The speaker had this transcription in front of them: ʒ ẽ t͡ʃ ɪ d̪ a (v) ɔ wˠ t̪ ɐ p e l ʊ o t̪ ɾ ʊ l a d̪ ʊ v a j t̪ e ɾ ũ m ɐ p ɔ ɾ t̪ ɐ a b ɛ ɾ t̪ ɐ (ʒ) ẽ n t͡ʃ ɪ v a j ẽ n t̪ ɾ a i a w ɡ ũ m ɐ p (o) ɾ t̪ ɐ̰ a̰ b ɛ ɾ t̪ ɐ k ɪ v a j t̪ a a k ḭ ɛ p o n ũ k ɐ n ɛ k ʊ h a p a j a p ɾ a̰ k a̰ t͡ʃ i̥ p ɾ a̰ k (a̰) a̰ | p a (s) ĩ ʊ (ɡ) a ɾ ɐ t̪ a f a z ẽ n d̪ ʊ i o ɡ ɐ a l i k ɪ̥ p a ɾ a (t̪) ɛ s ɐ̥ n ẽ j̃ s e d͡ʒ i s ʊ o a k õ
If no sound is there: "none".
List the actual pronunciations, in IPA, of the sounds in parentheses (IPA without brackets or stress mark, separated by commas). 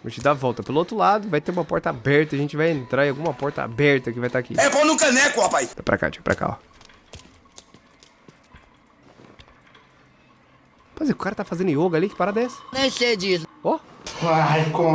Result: v, ʒ, ɔ, a̰, z, k, d̪